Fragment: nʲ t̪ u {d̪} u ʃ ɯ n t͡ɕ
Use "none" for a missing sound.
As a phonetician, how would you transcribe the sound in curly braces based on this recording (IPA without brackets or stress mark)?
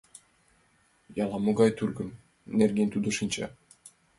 d̪